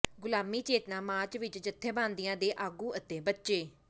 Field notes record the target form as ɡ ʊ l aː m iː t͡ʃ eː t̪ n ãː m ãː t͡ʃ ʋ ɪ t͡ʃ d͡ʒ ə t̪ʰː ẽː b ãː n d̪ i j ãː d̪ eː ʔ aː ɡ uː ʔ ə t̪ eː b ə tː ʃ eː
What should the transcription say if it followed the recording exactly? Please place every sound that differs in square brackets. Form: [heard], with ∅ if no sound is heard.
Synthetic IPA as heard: ɡ ʊ l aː m iː t͡ʃ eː t̪ n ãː m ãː t͡ʃ ʋ ɪ t͡ʃ d͡ʒ ə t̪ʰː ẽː b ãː n d̪ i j ãː d̪ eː ʔ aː ɡ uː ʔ ə t̪ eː b ə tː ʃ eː